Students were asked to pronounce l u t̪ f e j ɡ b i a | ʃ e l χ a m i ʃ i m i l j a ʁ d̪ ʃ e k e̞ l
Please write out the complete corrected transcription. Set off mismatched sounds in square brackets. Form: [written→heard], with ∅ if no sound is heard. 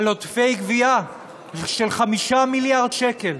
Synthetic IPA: l [u→o] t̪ f e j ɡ [b→v] i a | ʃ e l χ a m i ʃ [i→a] m i l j a ʁ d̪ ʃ e k e̞ l

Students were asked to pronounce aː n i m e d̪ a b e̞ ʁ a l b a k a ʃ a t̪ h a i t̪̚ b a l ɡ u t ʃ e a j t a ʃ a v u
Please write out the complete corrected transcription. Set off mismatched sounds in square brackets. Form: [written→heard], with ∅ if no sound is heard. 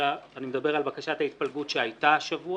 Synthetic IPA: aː n i m e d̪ a b e̞ ʁ a l b a k a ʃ a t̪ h a i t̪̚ [b→p] a l ɡ u t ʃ e a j t a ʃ a v u

